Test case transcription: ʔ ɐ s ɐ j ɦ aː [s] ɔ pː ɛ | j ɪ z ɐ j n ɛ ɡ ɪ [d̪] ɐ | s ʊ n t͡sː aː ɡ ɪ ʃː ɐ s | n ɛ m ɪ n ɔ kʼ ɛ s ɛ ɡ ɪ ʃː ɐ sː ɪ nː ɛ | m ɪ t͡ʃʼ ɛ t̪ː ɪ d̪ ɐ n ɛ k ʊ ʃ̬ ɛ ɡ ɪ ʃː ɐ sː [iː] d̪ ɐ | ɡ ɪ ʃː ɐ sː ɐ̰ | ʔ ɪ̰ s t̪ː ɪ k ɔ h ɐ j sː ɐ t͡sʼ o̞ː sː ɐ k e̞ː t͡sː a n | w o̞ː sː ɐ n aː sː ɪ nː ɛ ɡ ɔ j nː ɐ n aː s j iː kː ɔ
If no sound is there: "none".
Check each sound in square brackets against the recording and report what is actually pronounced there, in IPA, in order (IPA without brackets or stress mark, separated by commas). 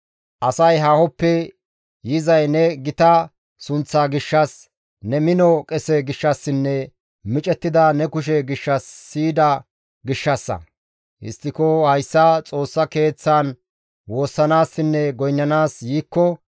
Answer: h, t̪, iː